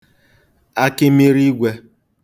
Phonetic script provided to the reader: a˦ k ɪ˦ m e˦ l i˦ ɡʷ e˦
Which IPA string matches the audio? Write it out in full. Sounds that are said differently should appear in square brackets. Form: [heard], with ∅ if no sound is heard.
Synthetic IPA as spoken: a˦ k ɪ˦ m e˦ [ɾ] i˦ ɡʷ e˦